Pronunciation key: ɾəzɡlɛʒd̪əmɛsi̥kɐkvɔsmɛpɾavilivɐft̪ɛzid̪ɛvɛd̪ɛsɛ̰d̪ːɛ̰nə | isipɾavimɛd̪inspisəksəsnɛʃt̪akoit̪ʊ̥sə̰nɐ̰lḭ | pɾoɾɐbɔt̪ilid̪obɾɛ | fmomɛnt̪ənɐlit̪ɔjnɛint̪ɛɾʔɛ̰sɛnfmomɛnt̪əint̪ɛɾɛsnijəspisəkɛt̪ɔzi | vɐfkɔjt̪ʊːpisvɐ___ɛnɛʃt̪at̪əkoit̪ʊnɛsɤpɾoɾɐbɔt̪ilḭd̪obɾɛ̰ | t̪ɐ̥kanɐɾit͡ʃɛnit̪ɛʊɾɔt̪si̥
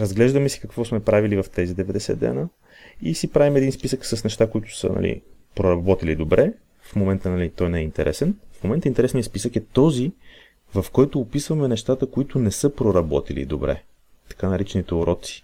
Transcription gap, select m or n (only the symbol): m